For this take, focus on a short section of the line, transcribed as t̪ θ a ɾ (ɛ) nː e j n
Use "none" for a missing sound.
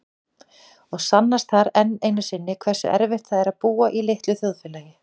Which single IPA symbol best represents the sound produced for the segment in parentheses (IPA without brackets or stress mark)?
ɛ